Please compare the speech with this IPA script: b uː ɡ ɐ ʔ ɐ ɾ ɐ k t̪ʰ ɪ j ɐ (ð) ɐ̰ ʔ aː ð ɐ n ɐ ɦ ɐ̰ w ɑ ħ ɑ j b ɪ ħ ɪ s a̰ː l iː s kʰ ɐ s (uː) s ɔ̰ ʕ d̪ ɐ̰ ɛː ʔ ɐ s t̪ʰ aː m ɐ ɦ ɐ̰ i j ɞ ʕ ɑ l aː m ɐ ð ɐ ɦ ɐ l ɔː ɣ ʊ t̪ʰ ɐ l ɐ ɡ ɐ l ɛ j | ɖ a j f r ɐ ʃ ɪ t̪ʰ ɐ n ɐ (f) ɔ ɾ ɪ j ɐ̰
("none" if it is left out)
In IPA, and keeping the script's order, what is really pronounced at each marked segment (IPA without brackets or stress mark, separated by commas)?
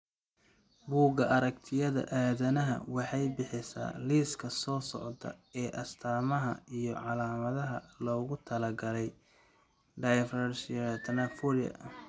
ð, ɔː, f